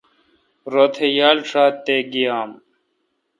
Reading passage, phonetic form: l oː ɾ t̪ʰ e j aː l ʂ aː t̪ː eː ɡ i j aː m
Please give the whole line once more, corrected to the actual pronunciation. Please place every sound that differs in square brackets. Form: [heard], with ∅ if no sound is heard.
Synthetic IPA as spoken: [ɾ] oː [∅] t̪ʰ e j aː l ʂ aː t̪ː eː ɡ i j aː m